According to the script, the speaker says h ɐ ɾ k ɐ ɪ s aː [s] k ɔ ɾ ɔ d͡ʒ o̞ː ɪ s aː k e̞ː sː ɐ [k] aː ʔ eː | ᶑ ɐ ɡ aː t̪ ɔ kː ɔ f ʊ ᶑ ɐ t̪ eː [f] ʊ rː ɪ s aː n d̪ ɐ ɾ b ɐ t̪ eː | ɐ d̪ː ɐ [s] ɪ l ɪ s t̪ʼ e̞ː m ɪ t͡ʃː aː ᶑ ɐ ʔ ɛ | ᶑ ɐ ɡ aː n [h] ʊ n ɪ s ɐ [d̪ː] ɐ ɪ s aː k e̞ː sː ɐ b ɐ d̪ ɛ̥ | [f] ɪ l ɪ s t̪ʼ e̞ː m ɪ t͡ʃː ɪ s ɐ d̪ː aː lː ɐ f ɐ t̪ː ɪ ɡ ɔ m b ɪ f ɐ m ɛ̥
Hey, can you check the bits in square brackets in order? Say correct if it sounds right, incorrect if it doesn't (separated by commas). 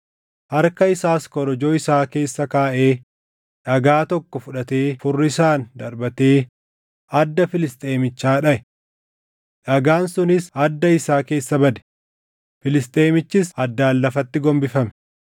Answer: correct, correct, correct, incorrect, incorrect, correct, correct